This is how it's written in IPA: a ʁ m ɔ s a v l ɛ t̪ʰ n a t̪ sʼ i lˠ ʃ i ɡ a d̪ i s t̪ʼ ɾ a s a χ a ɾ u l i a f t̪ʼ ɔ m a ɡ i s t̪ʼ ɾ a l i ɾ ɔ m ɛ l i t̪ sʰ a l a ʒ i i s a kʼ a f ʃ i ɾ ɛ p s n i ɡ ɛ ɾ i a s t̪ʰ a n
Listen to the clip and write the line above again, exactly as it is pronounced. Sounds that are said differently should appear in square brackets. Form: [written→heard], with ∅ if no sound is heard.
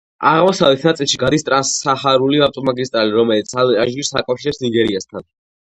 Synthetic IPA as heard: a ʁ m ɔ s a v l ɛ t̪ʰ n a t̪ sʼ i lˠ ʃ i ɡ a d̪ i s t̪ʼ ɾ a s a χ a ɾ u l i a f t̪ʼ ɔ m a ɡ i s t̪ʼ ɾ a l i ɾ ɔ m ɛ l i t̪ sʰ a l a ʒ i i s a kʼ a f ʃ i ɾ ɛ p s n i ɡ ɛ ɾ i a s t̪ʰ a n